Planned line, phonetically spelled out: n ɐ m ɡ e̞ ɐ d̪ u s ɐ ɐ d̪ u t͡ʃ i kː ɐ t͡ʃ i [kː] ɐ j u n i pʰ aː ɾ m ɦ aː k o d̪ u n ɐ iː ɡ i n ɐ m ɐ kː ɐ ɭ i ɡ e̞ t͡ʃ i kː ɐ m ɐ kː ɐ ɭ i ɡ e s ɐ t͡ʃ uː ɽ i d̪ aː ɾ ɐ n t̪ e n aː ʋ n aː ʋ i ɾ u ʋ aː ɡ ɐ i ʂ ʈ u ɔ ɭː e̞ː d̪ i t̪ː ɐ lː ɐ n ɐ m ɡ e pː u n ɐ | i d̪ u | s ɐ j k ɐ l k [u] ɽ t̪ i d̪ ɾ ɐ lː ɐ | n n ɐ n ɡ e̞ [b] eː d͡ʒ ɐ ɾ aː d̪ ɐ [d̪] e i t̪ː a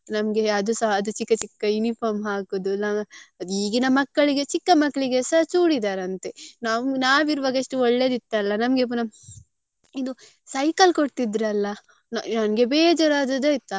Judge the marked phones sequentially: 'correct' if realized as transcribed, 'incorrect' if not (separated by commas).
correct, incorrect, correct, correct